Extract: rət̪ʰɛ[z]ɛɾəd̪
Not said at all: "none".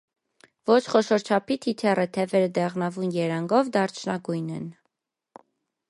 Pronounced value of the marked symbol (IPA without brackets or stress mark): v